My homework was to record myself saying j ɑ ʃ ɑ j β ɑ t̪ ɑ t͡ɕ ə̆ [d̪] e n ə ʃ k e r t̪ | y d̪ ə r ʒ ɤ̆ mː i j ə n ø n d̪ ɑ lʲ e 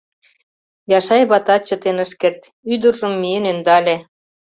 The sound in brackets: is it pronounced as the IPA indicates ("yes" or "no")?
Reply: no